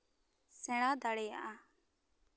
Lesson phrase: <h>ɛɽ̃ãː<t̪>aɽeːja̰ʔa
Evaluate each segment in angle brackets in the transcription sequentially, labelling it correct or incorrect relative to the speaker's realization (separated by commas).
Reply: incorrect, incorrect